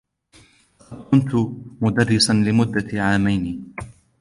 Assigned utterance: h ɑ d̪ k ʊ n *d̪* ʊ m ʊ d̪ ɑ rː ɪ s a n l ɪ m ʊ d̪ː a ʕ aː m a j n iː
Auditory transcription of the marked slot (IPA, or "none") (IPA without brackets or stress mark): t̪